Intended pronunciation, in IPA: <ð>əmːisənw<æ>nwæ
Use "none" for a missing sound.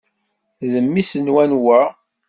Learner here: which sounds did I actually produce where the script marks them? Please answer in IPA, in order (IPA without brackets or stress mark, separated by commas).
ð, æ